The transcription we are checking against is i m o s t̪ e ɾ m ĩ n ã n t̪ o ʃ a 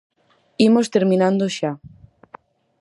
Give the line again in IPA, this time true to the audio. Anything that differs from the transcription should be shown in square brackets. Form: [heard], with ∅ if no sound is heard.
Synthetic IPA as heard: i m o s t̪ e ɾ m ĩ n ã n [d̪] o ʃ a